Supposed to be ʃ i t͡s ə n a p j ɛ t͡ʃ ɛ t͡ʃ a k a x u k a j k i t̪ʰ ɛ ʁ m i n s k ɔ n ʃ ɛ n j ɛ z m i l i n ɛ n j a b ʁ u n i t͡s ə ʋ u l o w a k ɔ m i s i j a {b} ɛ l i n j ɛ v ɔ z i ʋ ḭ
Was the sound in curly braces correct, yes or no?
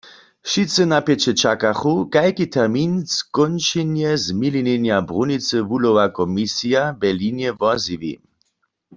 yes